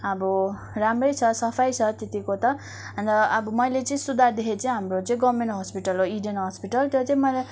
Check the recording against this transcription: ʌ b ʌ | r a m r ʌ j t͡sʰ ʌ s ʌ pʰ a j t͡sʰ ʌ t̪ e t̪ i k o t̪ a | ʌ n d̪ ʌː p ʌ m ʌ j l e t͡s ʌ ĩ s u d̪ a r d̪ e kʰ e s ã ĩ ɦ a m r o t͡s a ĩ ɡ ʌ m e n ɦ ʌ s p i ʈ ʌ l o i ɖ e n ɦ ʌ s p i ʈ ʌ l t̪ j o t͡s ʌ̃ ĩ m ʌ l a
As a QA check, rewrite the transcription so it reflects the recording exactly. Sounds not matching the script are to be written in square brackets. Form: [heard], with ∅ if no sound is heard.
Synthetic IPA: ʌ b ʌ | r a m r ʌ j t͡sʰ ʌ s ʌ pʰ a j t͡sʰ ʌ t̪ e t̪ i k o t̪ [ʌ] | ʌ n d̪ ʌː [b] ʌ m ʌ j l e t͡s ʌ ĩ s u d̪ a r d̪ e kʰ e [t͡s] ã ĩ ɦ a m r o t͡s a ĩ ɡ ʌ m e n ɦ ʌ s p i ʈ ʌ l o i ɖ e n ɦ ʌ s p i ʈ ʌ l t̪ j o t͡s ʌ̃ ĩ m ʌ l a